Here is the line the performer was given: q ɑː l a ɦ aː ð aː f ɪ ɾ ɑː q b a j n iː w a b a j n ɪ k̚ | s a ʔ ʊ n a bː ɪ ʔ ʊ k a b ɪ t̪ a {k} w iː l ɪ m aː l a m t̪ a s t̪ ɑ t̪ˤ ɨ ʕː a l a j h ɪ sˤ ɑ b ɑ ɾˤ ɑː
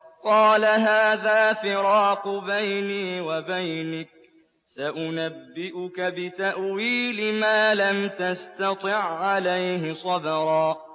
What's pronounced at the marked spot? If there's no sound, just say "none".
ʔ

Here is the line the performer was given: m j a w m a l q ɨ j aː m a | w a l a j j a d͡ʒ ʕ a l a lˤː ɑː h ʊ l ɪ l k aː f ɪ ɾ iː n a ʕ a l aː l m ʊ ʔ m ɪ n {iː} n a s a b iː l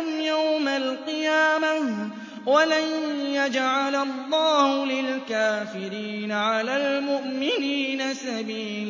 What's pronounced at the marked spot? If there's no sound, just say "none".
iː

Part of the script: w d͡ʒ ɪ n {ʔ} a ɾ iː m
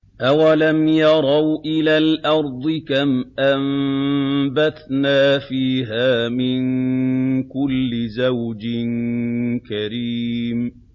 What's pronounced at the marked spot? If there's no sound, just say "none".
k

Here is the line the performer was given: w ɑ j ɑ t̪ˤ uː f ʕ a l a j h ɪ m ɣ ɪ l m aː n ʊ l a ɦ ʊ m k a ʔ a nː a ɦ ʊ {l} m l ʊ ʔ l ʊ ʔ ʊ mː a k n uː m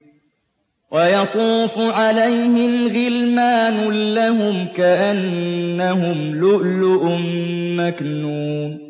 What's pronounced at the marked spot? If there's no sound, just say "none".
none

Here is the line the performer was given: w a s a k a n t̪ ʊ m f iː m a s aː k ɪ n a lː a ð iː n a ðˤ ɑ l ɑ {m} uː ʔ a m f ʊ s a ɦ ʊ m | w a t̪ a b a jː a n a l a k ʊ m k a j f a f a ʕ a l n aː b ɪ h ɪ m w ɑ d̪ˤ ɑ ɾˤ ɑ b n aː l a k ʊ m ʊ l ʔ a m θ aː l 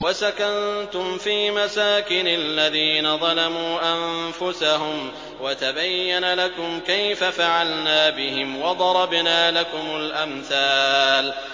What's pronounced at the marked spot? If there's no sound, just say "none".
m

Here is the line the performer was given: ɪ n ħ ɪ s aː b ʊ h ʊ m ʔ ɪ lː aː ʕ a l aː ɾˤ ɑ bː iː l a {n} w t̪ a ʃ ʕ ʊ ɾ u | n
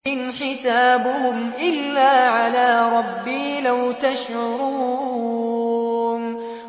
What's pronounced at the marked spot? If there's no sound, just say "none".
none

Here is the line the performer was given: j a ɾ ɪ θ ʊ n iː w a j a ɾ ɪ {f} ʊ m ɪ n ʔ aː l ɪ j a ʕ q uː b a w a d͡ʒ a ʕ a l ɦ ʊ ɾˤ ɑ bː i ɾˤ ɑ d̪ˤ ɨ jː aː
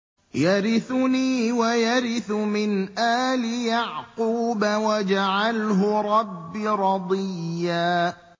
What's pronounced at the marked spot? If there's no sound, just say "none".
θ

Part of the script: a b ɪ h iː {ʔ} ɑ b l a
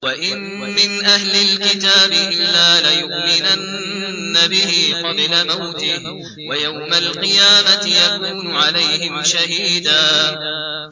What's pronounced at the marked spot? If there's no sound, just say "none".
q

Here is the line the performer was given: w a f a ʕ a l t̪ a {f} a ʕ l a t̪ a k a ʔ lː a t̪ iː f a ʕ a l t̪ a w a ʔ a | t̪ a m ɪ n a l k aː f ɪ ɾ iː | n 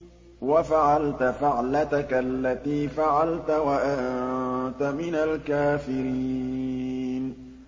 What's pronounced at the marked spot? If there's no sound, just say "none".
f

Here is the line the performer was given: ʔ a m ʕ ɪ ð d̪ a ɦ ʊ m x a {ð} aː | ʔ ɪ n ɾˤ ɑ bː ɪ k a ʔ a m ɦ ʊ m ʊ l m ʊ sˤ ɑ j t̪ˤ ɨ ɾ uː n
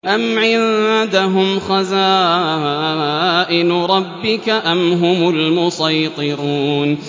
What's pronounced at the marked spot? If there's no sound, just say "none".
z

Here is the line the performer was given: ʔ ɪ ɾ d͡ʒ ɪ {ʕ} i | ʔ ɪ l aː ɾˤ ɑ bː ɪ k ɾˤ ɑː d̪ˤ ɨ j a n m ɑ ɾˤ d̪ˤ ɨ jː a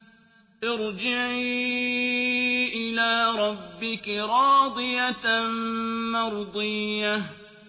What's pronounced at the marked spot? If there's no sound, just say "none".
ʕ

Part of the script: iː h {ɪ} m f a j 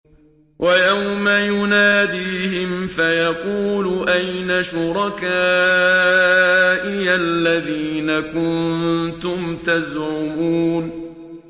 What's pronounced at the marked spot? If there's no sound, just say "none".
ɪ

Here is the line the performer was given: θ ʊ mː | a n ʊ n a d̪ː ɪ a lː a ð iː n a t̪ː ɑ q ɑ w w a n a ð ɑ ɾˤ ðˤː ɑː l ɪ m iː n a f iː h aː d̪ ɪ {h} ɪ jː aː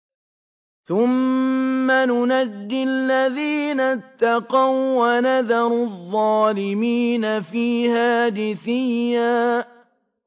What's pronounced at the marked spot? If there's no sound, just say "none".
θ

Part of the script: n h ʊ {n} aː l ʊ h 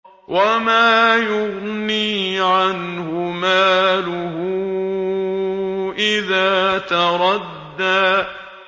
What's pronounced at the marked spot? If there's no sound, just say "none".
m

